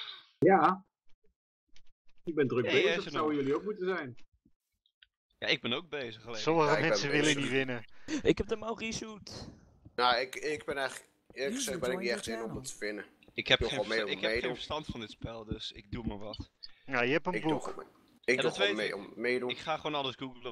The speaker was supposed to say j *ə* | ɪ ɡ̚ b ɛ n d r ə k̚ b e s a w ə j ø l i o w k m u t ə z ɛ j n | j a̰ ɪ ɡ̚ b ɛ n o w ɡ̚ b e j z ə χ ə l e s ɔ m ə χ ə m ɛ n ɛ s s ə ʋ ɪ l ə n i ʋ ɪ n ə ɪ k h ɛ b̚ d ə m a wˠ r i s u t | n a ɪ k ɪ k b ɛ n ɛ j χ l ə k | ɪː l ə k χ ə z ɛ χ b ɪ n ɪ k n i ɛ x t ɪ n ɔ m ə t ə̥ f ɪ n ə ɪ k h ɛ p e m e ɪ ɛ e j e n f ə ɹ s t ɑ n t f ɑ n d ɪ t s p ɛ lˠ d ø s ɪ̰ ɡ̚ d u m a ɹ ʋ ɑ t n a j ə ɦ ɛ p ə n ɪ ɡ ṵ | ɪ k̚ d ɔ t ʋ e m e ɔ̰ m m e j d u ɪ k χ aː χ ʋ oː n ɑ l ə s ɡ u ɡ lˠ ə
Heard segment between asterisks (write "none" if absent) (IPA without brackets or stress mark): a